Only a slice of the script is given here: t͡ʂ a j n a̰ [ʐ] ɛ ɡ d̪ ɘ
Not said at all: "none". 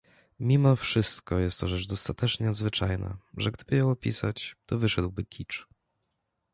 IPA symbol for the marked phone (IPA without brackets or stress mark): ʐ